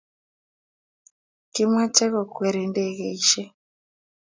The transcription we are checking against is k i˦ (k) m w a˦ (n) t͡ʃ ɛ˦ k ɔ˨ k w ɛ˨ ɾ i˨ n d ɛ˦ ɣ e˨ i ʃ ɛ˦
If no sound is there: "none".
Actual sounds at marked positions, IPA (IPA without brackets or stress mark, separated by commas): none, none